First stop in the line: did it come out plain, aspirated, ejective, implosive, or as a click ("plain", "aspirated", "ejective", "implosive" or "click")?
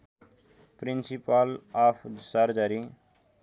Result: plain